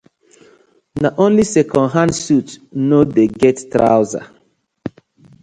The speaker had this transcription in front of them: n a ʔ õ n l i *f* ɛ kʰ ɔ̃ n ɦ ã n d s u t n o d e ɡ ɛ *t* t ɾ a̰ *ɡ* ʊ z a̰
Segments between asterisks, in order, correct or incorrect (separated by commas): incorrect, correct, incorrect